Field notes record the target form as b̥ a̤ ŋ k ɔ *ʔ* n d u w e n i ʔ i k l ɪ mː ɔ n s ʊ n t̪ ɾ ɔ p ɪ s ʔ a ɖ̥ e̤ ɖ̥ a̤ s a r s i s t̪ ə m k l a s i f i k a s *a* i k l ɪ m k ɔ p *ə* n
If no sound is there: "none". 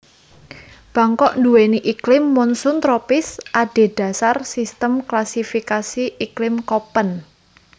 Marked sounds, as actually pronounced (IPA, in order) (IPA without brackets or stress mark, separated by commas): ʔ, i, ə